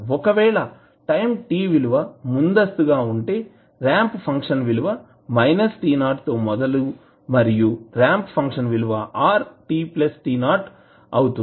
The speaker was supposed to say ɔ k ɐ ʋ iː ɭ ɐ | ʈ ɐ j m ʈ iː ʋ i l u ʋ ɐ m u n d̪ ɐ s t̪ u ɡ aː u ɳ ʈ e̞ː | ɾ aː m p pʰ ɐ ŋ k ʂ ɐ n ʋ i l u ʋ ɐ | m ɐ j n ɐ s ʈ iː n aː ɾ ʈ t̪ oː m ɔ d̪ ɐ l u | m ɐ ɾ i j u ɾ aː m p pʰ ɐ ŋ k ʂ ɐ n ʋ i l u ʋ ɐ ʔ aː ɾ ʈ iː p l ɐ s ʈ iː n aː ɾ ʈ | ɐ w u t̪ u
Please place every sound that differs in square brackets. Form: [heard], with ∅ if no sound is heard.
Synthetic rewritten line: ɔ k ɐ ʋ [ɛː] ɭ ɐ | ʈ ɐ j m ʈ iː ʋ i l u ʋ ɐ m u n d̪ ɐ s t̪ u ɡ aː u ɳ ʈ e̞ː | ɾ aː m p pʰ ɐ ŋ k ʂ ɐ n ʋ i l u ʋ ɐ | m ɐ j n ɐ s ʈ iː n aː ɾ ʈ t̪ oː m ɔ d̪ ɐ l u | m ɐ ɾ i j u ɾ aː m p pʰ ɐ ŋ k ʂ ɐ n ʋ i l u ʋ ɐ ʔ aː ɾ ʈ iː p l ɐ s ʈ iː n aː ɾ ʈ | ɐ w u t̪ u